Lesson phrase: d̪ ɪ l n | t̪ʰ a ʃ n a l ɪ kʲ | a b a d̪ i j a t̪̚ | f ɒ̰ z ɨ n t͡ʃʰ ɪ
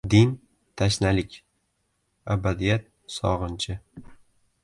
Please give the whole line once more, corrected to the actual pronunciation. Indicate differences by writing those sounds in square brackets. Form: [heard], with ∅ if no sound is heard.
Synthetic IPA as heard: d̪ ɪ [∅] n | t̪ʰ a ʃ n a l ɪ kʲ | a b a d̪ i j a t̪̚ | [s] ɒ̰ [ʁ] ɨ n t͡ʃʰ ɪ